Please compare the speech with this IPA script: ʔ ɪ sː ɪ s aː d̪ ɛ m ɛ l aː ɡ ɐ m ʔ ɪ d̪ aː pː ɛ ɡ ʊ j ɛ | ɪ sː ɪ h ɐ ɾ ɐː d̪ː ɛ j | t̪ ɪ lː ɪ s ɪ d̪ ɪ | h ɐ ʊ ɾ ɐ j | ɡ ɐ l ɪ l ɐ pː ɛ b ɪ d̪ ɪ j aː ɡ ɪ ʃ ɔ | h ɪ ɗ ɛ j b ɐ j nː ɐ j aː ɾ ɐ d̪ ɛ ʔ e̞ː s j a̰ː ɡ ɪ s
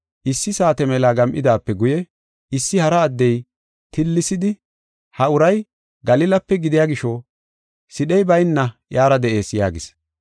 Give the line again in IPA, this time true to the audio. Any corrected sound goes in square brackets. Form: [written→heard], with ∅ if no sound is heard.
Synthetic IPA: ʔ ɪ sː ɪ s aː [d̪→t̪] ɛ m ɛ l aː ɡ ɐ m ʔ ɪ d̪ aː pː ɛ ɡ ʊ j ɛ | ɪ sː ɪ h ɐ ɾ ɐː d̪ː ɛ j | t̪ ɪ lː ɪ s ɪ d̪ ɪ | h ɐ ʊ ɾ ɐ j | ɡ ɐ l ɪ l ɐ pː ɛ [b→ɡ] ɪ d̪ ɪ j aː ɡ ɪ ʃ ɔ | [h→s] ɪ ɗ ɛ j b ɐ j nː ɐ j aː ɾ ɐ d̪ ɛ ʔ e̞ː s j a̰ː ɡ ɪ s

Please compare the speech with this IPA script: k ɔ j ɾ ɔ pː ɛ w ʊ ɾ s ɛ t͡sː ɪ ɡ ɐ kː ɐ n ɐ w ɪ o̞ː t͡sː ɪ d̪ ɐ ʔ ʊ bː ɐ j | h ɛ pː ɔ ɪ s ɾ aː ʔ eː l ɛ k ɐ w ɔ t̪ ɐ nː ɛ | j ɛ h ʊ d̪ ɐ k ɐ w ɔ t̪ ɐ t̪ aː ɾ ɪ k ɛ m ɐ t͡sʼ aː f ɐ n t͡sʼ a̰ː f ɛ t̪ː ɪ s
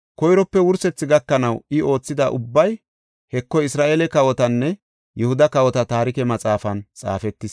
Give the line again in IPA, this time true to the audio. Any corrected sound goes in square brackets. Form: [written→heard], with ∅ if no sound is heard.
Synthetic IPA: k ɔ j ɾ ɔ pː ɛ w ʊ ɾ s ɛ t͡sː ɪ ɡ ɐ kː ɐ n ɐ w ɪ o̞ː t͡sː ɪ d̪ ɐ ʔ ʊ bː ɐ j | h ɛ [pː→kː] ɔ ɪ s ɾ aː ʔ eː l ɛ k ɐ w ɔ t̪ ɐ nː ɛ | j ɛ h ʊ d̪ ɐ k ɐ w ɔ t̪ ɐ t̪ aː ɾ ɪ k ɛ m ɐ t͡sʼ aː f ɐ n t͡sʼ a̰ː f ɛ t̪ː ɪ s

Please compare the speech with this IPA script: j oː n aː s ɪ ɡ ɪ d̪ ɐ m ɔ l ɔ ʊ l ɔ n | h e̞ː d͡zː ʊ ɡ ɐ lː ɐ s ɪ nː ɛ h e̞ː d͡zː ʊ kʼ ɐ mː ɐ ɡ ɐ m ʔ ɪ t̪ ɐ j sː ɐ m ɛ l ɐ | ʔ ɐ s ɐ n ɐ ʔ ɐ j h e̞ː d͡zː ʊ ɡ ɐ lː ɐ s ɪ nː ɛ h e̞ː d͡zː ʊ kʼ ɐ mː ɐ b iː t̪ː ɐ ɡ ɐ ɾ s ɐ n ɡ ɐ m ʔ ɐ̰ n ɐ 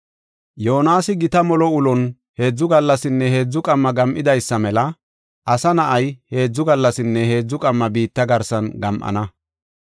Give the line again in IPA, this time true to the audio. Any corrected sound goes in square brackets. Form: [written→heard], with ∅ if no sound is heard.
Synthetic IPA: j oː n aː s ɪ ɡ ɪ [d̪→t̪] ɐ m ɔ l ɔ ʊ l ɔ n | h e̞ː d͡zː ʊ ɡ ɐ lː ɐ s ɪ nː ɛ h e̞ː d͡zː ʊ kʼ ɐ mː ɐ ɡ ɐ m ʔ ɪ [t̪→d̪] ɐ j sː ɐ m ɛ l ɐ | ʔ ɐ s ɐ n ɐ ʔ ɐ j h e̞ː d͡zː ʊ ɡ ɐ lː ɐ s ɪ nː ɛ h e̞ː d͡zː ʊ kʼ ɐ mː ɐ b iː t̪ː ɐ ɡ ɐ ɾ s ɐ n ɡ ɐ m ʔ ɐ̰ n ɐ

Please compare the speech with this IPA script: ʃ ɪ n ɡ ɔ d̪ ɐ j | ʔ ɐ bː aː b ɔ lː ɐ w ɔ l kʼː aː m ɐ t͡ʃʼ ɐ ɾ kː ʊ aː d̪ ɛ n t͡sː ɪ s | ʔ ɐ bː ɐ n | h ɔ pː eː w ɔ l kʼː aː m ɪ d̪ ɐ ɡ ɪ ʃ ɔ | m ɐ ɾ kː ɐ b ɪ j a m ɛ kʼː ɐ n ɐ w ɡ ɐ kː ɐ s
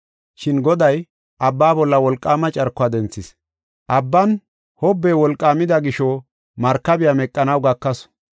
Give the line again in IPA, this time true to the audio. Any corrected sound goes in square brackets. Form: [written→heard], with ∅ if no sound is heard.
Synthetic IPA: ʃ ɪ n ɡ ɔ d̪ ɐ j | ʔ ɐ bː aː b ɔ lː ɐ w ɔ l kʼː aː m ɐ t͡ʃʼ ɐ ɾ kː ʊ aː d̪ ɛ n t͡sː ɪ s | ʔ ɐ bː ɐ n | h ɔ [pː→bː] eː w ɔ l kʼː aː m ɪ d̪ ɐ ɡ ɪ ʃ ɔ | m ɐ ɾ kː ɐ b ɪ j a m ɛ kʼː ɐ n ɐ w ɡ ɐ kː ɐ s

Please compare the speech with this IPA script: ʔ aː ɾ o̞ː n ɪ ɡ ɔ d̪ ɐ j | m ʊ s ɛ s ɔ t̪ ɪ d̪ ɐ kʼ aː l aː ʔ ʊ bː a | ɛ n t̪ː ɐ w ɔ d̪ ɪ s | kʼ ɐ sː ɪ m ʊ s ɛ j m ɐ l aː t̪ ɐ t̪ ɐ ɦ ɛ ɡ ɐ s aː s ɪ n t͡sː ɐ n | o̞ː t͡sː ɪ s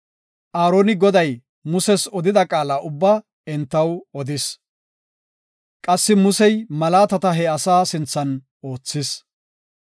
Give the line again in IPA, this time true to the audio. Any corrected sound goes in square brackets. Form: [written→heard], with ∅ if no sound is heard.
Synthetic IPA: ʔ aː ɾ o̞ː n ɪ ɡ ɔ d̪ ɐ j | m ʊ s ɛ s ɔ [t̪→d̪] ɪ d̪ ɐ kʼ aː l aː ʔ ʊ bː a | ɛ n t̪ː ɐ w ɔ d̪ ɪ s | kʼ ɐ sː ɪ m ʊ s ɛ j m ɐ l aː t̪ ɐ t̪ ɐ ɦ ɛ [ɡ→∅] ɐ s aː s ɪ n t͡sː ɐ n | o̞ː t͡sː ɪ s

